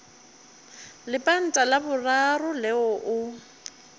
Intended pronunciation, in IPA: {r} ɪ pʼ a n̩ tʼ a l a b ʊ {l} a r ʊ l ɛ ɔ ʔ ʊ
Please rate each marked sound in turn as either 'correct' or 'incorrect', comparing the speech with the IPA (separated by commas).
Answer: incorrect, incorrect